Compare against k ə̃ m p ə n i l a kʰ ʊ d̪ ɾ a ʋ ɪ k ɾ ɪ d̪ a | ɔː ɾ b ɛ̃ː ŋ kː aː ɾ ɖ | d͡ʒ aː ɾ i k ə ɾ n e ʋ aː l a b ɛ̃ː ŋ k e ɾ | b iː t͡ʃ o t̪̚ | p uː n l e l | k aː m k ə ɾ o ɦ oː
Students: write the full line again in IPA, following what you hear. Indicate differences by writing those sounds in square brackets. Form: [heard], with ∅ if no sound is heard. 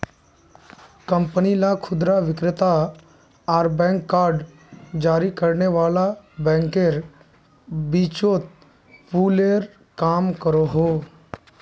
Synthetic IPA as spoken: k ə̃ m p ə n i l a kʰ ʊ d̪ ɾ a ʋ ɪ k ɾ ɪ [t̪] a | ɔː ɾ b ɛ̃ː ŋ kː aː ɾ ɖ | d͡ʒ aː ɾ i k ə ɾ n e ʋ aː l a b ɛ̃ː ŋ k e ɾ | b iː t͡ʃ o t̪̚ | p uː [∅] l e [ɾ] | k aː m k ə ɾ o ɦ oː

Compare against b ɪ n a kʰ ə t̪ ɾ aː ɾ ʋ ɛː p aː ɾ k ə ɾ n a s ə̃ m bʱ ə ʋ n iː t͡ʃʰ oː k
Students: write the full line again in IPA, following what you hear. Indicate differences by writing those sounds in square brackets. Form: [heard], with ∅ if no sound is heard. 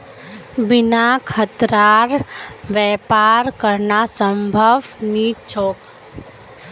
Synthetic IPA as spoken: b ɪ n a kʰ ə t̪ ɾ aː ɾ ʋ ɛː p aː ɾ k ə ɾ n a s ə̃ m bʱ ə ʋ n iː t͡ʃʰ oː k

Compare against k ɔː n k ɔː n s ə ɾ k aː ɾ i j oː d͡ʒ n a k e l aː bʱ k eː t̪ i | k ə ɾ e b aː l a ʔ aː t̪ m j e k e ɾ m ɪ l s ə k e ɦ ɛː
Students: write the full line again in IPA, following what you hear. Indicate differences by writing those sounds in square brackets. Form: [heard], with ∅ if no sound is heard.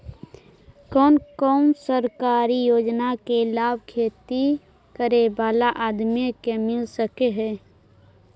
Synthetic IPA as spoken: k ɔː n k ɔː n s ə ɾ k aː ɾ i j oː d͡ʒ n a k e l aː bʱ [kʰ] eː t̪ i | k ə ɾ e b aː l a ʔ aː [d̪] m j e k e [∅] m ɪ l s ə k e ɦ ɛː

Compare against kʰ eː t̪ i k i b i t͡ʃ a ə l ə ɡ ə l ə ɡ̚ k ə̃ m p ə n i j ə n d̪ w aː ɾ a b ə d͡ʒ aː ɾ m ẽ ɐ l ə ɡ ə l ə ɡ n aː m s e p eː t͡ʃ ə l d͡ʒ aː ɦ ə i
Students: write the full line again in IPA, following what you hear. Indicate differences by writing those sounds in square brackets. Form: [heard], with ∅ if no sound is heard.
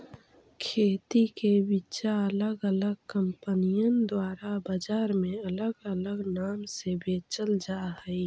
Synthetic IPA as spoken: kʰ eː t̪ i k [e] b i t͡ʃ a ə l ə ɡ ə l ə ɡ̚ k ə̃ m p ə n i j ə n d̪ w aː ɾ a b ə d͡ʒ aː ɾ m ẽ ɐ l ə ɡ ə l ə ɡ n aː m s e [b] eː t͡ʃ ə l d͡ʒ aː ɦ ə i

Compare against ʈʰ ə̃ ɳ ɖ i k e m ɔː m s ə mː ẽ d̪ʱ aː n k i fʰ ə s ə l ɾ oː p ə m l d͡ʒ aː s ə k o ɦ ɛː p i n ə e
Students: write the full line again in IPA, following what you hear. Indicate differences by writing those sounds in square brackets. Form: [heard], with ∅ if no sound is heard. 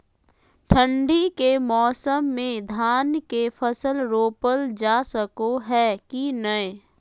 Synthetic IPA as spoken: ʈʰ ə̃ ɳ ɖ i k e m ɔː [∅] s ə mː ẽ d̪ʱ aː n k [e] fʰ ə s ə l ɾ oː p ə [∅] l d͡ʒ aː s ə k o ɦ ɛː [k] i n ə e

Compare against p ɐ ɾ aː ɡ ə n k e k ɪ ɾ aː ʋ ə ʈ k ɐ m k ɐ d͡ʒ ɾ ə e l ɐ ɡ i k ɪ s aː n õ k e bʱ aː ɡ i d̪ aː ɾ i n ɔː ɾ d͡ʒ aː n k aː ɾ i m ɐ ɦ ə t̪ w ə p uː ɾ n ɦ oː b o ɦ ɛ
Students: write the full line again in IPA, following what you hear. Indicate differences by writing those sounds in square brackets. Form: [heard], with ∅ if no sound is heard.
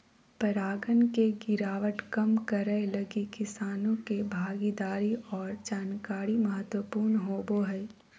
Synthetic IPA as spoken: p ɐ ɾ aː ɡ ə n k e [ɡ] ɪ ɾ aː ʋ ə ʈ k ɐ m k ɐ [∅] ɾ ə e l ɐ ɡ i k ɪ s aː n õ k e bʱ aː ɡ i d̪ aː ɾ i [∅] ɔː ɾ d͡ʒ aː n k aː ɾ i m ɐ ɦ ə t̪ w ə p uː ɾ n ɦ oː b o ɦ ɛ

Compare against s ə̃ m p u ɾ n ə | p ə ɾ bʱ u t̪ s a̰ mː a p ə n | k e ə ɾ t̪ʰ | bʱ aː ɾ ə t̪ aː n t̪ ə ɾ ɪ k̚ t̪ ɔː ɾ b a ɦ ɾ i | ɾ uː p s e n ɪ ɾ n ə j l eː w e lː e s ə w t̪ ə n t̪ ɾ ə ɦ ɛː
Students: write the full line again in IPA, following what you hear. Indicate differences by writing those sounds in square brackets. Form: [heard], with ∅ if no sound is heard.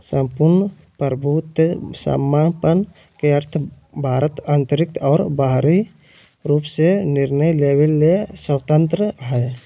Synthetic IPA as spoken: s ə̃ m p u ɾ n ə | p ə ɾ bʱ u t̪ s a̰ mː a p ə n | k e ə ɾ t̪ʰ | bʱ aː ɾ ə t̪ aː n t̪ ə ɾ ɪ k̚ t̪ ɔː ɾ b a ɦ ɾ i | ɾ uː p s e n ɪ ɾ n ə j l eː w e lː e s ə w t̪ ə n t̪ ɾ ə ɦ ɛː

